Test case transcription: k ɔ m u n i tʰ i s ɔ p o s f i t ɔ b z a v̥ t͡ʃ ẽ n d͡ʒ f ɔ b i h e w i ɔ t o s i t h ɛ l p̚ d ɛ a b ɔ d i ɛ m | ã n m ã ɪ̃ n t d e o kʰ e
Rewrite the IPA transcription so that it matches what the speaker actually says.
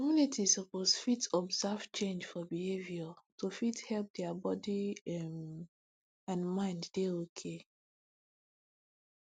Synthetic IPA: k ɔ m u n i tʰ i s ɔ p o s f i t ɔ b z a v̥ t͡ʃ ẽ n d͡ʒ f ɔ b i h e v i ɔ t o f i t h ɛ l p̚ d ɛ a b ɔ d i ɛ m | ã n m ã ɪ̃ n d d e o kʰ e